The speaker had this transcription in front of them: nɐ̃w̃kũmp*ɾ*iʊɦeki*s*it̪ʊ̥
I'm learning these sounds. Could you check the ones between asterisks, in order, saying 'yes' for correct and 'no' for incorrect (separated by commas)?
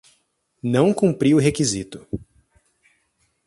yes, no